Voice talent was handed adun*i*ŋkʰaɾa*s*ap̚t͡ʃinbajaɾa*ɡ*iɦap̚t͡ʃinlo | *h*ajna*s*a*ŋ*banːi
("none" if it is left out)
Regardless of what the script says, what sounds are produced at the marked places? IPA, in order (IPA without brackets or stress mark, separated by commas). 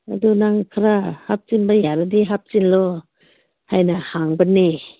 a, h, d, h, h, ŋ